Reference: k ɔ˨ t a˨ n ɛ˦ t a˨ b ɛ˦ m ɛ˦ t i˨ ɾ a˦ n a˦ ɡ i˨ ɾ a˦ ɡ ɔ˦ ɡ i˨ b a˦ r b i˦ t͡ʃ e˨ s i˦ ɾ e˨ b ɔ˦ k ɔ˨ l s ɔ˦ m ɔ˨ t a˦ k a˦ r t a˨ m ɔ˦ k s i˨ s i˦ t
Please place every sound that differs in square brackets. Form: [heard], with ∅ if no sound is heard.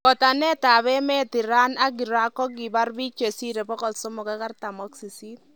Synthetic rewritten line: k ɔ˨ t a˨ n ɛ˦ t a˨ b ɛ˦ m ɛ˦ t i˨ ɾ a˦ n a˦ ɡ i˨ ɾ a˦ [k] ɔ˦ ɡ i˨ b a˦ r b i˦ t͡ʃ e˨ s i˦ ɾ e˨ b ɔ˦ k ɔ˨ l s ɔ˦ m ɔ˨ [k] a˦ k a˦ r t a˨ m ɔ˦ k s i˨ s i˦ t